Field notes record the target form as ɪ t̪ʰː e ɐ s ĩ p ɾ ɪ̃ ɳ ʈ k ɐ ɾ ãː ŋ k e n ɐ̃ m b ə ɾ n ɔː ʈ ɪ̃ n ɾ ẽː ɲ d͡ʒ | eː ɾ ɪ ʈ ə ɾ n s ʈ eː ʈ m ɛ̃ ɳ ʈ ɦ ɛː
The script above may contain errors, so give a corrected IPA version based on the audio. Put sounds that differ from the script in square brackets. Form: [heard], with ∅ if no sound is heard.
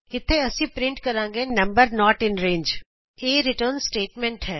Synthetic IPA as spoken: ɪ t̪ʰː e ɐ s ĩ p ɾ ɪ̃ ɳ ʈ k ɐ ɾ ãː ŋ [ɡ] e n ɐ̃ m b ə ɾ n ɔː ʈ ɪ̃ n ɾ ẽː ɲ d͡ʒ | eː ɾ ɪ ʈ ə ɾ n s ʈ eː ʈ m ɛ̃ ɳ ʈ ɦ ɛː

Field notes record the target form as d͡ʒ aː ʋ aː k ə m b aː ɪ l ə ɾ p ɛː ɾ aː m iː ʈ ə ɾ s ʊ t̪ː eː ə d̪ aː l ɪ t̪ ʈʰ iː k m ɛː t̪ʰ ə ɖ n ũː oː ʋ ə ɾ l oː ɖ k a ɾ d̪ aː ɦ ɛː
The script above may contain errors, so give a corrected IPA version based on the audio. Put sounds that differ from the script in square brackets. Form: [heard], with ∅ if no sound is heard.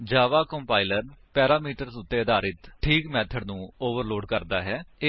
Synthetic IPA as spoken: d͡ʒ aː ʋ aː k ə m [p] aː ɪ l ə ɾ p ɛː ɾ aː m iː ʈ ə ɾ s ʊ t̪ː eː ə d̪ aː [ɾ] ɪ t̪ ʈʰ iː k m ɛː t̪ʰ ə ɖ n ũː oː ʋ ə ɾ l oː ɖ k [ə] ɾ d̪ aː ɦ ɛː

